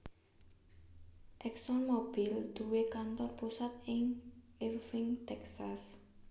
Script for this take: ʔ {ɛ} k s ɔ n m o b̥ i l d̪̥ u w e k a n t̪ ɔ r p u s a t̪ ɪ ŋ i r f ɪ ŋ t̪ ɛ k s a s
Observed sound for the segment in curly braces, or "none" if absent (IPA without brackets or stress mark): ɛ